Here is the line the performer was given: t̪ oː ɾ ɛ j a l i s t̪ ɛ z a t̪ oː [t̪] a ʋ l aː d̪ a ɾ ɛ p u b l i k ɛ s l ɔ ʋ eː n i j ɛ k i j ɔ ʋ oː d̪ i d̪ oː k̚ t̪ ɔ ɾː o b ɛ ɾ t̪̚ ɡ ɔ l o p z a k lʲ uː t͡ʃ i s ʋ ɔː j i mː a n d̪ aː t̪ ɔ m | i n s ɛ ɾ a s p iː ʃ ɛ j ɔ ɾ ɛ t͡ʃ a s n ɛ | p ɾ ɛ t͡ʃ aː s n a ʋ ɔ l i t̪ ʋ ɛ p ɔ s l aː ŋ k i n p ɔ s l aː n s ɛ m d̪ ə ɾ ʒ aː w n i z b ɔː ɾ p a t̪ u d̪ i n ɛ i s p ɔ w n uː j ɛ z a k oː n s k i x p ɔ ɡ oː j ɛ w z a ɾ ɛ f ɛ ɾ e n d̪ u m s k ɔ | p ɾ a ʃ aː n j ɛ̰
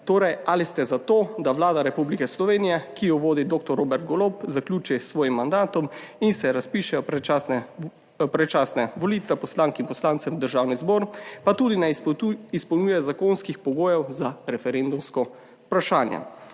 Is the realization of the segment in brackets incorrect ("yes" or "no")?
yes